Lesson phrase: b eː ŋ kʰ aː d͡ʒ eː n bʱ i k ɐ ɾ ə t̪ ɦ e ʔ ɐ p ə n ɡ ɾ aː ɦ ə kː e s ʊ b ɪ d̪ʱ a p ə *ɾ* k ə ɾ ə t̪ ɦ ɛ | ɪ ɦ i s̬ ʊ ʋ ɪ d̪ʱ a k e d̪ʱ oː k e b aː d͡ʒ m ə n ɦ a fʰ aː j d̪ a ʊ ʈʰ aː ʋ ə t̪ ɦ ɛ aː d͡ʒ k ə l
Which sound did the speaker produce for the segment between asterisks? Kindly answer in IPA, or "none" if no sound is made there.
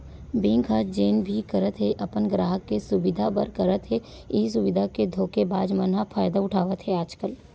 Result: ɾ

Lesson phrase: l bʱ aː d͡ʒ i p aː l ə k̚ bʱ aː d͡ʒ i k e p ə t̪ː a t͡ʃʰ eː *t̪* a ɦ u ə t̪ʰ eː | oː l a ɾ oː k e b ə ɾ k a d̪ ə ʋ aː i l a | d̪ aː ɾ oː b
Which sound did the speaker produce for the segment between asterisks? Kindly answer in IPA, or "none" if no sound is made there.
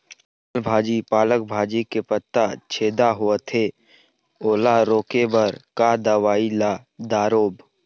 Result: d̪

